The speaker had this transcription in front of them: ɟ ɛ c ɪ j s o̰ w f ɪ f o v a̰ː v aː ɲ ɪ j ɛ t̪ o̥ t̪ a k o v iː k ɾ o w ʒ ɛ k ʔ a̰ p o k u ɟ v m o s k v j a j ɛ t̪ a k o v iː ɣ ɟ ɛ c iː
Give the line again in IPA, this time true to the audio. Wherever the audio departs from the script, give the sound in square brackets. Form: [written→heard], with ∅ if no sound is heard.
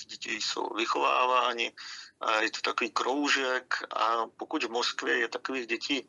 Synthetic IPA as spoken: ɟ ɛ c ɪ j s o̰ w [f→v] ɪ [f→x] o v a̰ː v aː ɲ ɪ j ɛ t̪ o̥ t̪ a k o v iː k ɾ o w ʒ ɛ k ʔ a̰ p o k u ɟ v m o s k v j [a→ɛ] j ɛ t̪ a k o v iː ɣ ɟ ɛ c iː